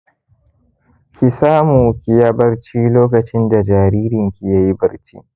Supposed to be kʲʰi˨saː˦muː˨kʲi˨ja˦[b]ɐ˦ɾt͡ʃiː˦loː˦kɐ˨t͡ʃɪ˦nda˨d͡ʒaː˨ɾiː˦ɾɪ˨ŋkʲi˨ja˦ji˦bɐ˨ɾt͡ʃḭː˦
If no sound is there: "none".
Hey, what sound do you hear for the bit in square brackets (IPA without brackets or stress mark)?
b